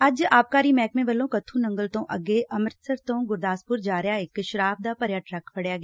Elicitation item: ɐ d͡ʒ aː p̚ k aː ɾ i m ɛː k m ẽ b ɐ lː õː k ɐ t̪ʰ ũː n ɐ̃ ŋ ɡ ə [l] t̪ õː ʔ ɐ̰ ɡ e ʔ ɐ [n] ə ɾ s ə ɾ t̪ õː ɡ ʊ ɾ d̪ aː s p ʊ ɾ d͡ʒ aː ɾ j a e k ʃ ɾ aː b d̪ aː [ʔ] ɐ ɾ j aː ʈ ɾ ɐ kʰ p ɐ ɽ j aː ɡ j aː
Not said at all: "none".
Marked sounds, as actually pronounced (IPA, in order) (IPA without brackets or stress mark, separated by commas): l, m, p